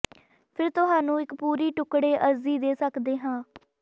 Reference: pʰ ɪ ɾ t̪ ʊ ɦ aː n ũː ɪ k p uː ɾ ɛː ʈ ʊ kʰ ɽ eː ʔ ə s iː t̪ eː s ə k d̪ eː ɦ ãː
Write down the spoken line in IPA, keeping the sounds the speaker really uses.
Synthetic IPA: pʰ ɪ ɾ t̪ ʊ ɦ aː n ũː ɪ k p uː ɾ iː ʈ ʊ k ɽ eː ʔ ə z iː d̪ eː s ə k d̪ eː ɦ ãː